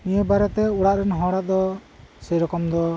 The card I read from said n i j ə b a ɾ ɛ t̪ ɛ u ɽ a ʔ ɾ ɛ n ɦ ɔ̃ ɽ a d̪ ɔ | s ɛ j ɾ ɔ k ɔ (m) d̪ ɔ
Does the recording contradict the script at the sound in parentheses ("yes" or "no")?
no